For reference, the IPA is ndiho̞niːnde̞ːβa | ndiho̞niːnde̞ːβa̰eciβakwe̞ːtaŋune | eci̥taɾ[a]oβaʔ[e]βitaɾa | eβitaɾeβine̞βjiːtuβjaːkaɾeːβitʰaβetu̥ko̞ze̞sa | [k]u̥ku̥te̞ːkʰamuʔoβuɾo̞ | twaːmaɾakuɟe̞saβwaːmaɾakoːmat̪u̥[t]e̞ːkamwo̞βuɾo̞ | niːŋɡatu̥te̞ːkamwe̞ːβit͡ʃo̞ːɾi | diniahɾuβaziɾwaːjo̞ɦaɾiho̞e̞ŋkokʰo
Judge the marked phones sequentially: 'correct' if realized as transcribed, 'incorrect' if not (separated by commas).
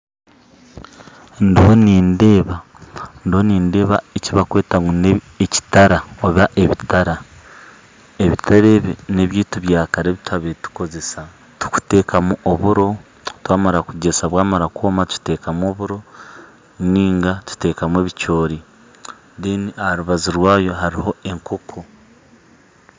correct, correct, incorrect, correct